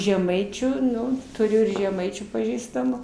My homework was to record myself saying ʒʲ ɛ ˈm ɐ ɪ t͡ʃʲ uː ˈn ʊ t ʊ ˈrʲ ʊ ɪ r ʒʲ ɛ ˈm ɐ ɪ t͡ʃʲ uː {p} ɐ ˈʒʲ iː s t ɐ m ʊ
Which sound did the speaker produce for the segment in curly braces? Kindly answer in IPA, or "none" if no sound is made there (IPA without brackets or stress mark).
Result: p